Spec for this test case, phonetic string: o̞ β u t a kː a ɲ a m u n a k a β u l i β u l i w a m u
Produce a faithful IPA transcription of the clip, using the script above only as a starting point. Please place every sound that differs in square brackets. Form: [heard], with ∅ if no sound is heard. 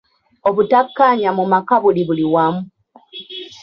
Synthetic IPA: o̞ β u t a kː a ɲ a m u [m] a k a β u l i β u l i w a m u